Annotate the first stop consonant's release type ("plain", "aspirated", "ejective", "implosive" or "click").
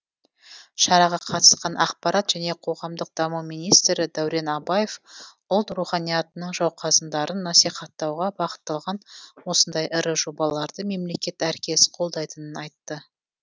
aspirated